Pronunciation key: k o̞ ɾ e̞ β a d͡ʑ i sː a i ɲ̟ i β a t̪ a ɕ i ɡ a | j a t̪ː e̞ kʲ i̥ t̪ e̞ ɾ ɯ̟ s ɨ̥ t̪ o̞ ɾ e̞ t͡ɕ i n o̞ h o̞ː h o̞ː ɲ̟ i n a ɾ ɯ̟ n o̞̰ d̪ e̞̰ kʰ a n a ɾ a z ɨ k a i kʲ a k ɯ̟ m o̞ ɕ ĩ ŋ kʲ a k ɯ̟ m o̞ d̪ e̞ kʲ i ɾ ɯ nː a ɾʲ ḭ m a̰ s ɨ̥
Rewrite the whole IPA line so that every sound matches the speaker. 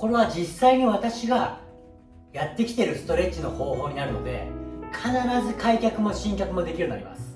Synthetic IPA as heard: k o̞ ɾ e̞ β a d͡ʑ i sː a i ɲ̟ i β a t̪ a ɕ i ɡ a | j a t̪ː e̞ kʲ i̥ t̪ e̞ ɾ ɯ̟ s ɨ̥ t̪ o̞ ɾ e̞ t͡ɕ i n o̞ h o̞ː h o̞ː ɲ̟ i n a ɾ ɯ̟ n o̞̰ d̪ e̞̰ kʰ a n a ɾ a z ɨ k a i kʲ a k ɯ̟ m o̞ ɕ ĩ ŋ kʲ a k ɯ̟ m o̞ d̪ e̞ kʲ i ɾ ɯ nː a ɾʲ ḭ m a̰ s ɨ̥